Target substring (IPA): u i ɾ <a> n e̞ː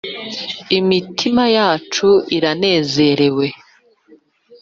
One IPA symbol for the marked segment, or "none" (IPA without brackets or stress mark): a